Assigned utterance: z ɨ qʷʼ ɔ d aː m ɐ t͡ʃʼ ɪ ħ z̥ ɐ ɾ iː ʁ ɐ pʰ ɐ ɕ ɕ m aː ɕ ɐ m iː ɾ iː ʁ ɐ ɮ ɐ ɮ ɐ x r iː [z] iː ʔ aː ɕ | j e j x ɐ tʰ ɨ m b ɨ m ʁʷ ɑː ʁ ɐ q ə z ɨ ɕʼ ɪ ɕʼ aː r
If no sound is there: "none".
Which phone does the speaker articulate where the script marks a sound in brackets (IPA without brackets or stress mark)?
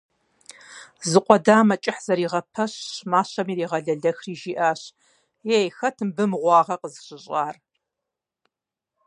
ʒ